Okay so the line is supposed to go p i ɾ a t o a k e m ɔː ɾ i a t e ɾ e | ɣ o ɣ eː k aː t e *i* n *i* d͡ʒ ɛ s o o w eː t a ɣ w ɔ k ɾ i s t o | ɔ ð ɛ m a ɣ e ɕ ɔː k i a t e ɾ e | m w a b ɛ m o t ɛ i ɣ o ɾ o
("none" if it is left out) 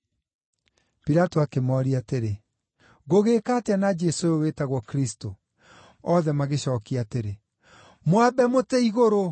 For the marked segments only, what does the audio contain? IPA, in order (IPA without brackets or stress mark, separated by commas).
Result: a, a